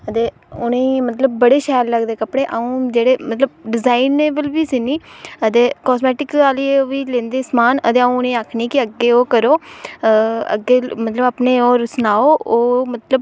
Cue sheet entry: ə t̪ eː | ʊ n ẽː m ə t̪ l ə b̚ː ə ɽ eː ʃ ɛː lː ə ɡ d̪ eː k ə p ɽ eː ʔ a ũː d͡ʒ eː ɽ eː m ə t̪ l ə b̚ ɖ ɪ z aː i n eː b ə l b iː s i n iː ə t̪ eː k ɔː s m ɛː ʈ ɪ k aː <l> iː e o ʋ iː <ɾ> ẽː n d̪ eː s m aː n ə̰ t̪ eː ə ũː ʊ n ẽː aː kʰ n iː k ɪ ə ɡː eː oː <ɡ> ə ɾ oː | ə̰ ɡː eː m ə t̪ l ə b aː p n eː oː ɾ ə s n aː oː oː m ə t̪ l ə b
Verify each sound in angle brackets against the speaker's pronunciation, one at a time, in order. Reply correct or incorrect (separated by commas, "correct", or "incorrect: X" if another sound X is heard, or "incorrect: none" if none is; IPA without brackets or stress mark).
correct, incorrect: l, incorrect: k